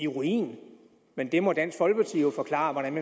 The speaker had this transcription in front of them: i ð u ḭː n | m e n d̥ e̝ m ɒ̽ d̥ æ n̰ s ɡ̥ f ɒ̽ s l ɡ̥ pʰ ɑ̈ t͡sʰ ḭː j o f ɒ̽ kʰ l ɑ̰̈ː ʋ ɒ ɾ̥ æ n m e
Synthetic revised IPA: i ʁ u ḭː n | m e n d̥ e̝ m ɒ̽ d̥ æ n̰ s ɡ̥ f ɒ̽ l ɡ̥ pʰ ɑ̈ t͡sʰ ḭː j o f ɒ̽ kʰ l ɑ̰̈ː ʋ ɒ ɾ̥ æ n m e